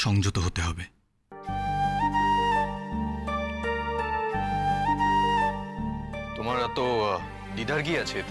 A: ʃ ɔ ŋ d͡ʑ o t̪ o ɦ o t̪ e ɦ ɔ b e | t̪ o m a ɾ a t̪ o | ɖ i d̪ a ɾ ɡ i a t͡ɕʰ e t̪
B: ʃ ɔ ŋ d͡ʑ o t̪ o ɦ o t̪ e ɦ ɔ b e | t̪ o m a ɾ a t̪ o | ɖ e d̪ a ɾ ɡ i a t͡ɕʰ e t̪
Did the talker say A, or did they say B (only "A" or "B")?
A